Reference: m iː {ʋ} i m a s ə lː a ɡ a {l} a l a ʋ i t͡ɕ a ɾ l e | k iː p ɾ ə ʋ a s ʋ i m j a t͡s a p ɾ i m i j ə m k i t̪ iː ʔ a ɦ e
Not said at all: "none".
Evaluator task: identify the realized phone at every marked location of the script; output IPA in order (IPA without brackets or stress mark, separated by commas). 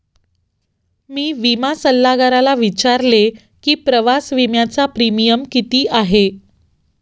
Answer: ʋ, ɾ